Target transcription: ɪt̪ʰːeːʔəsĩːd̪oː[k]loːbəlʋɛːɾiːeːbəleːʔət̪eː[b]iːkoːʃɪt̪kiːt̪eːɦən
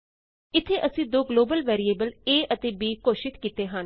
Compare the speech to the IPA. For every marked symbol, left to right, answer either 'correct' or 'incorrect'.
incorrect: ɡ, correct

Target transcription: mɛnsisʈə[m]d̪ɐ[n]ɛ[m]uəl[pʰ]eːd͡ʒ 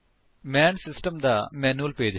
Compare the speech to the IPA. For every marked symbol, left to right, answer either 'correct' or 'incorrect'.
correct, incorrect: m, incorrect: n, incorrect: p

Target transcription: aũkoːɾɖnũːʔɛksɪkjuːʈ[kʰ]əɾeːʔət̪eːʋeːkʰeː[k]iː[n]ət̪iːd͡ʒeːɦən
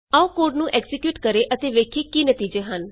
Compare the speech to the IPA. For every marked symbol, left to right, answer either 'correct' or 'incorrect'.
incorrect: k, correct, correct

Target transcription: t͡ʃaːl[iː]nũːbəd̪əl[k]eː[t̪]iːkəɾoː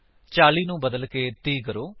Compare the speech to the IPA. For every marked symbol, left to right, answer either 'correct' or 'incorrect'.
correct, correct, correct

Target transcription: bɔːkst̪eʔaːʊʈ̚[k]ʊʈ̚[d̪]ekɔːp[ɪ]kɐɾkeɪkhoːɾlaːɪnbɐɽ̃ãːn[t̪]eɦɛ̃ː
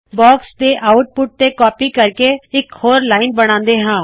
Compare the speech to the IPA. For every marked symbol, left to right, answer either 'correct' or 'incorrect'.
incorrect: p, incorrect: t̪, incorrect: i, incorrect: d̪

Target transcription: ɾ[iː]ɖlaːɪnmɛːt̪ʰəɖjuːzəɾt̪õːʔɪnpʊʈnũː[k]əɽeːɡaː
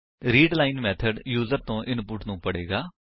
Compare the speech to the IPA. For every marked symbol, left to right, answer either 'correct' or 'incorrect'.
correct, incorrect: p

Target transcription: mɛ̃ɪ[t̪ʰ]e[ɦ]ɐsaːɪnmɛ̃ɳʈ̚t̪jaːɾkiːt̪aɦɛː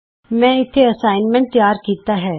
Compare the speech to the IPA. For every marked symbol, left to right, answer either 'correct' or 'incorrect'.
correct, incorrect: none

